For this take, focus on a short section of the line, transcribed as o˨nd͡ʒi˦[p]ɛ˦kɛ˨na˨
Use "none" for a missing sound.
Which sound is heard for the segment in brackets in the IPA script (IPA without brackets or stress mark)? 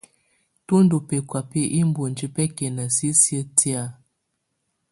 p